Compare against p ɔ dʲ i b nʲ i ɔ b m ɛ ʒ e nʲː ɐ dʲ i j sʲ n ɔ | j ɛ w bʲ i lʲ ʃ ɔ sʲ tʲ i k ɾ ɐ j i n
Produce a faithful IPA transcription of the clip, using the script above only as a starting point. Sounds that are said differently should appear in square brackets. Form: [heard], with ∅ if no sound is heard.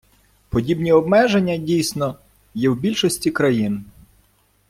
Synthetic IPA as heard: p ɔ dʲ i b nʲ i ɔ b m ɛ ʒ e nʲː ɐ dʲ i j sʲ n ɔ | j ɛ w bʲ i lʲ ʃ ɔ sʲ tʲ i k ɾ ɐ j i n